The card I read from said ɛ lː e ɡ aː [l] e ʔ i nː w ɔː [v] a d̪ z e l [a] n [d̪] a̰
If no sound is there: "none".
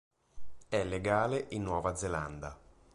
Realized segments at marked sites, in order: l, v, a, d̪

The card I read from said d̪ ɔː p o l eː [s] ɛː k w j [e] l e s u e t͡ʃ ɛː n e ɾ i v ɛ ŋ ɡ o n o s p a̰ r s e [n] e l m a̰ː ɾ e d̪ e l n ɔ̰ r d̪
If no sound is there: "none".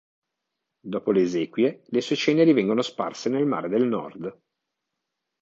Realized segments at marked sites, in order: z, e, n

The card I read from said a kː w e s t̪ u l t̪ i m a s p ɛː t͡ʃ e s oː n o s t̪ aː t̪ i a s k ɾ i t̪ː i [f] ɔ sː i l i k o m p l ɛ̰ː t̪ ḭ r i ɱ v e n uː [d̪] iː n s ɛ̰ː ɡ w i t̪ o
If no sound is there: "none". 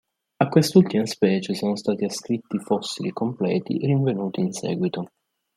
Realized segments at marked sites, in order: f, t̪

